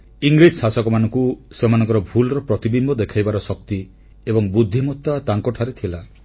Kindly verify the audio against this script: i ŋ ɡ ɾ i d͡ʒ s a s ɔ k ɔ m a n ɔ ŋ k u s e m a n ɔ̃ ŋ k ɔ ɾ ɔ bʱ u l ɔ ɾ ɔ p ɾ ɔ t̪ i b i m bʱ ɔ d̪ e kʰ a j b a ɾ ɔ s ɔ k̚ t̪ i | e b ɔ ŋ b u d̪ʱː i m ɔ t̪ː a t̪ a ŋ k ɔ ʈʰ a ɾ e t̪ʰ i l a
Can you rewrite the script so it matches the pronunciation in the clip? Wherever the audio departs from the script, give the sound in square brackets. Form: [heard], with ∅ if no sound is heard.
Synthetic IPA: i ŋ ɡ ɾ i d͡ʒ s a s ɔ k ɔ m a n ɔ ŋ k u s e m a n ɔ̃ ŋ k ɔ ɾ ɔ bʱ u l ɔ ɾ ɔ p ɾ ɔ t̪ i b i m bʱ ɔ d̪ e kʰ a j b a ɾ ɔ s ɔ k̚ t̪ i | e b ɔ ŋ b u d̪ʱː i m ɔ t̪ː a t̪ a ŋ k ɔ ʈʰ a ɾ e t̪ʰ i l a

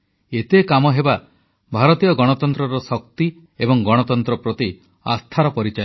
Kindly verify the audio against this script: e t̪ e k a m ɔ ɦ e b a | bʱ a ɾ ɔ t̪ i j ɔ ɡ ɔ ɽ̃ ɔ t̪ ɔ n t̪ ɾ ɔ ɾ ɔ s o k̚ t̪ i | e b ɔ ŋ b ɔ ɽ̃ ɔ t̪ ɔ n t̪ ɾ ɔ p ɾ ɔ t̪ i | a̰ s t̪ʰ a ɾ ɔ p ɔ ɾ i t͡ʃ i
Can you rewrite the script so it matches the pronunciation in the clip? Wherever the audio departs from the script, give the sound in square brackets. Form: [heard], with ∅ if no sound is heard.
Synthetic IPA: e t̪ e k a m ɔ ɦ e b a | bʱ a ɾ ɔ t̪ i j ɔ ɡ ɔ ɽ̃ ɔ t̪ ɔ n t̪ ɾ ɔ ɾ ɔ s [ɔ] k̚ t̪ i | e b ɔ ŋ [ɡ] ɔ ɽ̃ ɔ t̪ ɔ n t̪ ɾ ɔ p ɾ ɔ t̪ i | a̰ s t̪ʰ a ɾ ɔ p ɔ ɾ i t͡ʃ [a]

